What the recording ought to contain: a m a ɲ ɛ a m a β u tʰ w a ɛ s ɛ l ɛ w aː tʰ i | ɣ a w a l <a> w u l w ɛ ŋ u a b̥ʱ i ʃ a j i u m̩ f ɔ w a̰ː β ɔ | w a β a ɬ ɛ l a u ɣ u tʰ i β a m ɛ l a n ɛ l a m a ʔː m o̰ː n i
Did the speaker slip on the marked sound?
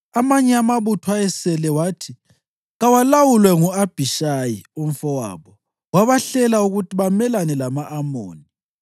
no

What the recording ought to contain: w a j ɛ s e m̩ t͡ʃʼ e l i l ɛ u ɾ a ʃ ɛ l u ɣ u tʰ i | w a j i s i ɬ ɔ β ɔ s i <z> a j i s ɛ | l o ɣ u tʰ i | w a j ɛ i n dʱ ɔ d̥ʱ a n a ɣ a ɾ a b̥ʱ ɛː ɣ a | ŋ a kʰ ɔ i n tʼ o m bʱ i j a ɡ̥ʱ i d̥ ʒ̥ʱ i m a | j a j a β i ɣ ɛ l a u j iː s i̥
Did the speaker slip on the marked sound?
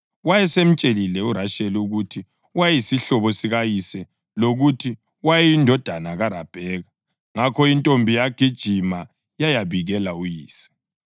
yes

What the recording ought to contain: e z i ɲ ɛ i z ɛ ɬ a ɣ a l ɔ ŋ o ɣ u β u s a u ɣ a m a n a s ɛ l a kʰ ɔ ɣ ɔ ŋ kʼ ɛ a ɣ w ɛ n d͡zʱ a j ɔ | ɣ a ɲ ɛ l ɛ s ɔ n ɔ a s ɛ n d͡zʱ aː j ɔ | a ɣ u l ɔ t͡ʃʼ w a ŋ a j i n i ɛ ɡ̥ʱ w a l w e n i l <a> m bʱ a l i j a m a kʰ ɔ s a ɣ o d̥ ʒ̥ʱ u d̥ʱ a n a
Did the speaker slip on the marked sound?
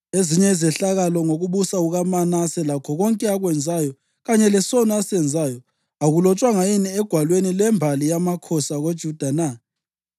yes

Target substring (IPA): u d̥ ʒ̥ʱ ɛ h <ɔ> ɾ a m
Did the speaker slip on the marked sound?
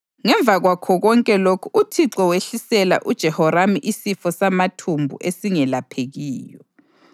no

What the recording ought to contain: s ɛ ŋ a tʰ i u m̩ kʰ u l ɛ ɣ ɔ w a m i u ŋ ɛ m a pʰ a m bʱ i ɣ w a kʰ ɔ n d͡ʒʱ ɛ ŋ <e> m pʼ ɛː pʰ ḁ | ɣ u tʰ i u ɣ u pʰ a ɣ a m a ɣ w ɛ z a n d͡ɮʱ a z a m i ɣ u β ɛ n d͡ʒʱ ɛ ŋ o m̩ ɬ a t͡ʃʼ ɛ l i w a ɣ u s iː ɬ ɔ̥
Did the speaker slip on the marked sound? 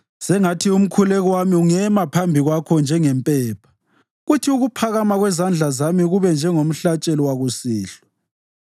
yes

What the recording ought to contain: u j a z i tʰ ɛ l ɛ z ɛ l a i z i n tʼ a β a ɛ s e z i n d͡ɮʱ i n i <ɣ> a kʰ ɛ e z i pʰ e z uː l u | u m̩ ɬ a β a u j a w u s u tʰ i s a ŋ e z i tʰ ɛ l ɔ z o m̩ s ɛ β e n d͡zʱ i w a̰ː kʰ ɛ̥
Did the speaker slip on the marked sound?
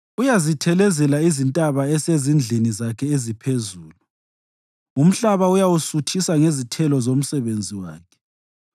yes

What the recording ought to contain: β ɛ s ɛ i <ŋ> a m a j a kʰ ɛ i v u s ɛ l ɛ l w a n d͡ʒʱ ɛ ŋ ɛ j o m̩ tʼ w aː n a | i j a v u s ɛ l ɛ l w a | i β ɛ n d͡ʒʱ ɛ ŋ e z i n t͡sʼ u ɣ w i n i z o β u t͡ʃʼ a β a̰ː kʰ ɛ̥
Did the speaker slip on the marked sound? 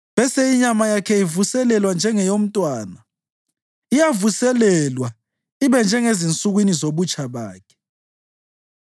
yes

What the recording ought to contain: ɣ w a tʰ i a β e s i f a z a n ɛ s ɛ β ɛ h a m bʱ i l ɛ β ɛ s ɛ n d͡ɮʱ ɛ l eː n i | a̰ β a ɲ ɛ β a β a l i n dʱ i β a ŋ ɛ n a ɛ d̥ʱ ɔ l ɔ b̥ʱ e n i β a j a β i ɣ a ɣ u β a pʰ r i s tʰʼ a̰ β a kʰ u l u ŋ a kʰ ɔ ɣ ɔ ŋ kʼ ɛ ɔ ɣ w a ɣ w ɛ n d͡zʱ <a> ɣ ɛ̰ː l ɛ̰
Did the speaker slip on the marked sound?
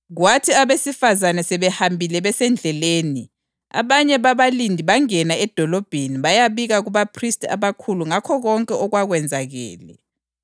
no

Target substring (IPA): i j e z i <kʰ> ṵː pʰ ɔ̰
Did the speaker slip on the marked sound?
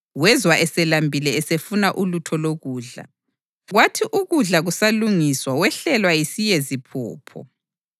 yes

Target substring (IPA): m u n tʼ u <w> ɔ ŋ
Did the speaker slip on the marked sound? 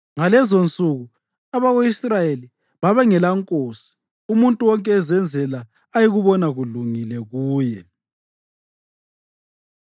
no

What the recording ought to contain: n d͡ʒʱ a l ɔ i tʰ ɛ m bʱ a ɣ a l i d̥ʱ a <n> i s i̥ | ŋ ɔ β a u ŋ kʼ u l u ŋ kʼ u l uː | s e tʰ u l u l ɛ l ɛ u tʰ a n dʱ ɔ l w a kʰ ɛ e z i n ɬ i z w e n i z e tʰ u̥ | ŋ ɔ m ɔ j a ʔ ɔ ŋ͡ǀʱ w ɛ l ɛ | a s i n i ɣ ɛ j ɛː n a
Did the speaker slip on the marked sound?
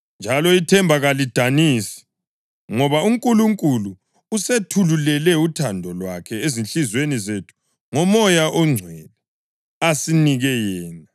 no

